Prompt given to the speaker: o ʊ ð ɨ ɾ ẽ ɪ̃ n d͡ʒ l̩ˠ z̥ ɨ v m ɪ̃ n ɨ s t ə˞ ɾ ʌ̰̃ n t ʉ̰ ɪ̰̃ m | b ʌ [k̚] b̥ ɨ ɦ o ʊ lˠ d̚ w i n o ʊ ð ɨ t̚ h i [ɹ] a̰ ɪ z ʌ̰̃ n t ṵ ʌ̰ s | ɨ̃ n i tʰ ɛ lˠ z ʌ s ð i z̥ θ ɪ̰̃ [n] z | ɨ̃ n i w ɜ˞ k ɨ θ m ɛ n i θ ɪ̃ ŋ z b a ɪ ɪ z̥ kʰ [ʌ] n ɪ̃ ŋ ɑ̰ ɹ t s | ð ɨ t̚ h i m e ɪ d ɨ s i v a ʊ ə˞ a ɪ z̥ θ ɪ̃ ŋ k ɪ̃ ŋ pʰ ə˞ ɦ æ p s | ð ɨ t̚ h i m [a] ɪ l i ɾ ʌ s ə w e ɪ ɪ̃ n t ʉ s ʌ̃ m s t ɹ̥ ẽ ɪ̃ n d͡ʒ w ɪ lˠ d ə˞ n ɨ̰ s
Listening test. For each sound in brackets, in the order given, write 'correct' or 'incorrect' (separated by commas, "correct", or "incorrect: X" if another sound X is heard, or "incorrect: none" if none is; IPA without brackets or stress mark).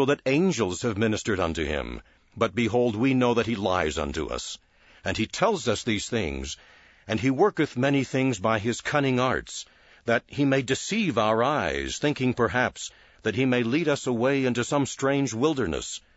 incorrect: t̚, incorrect: l, incorrect: ŋ, correct, incorrect: e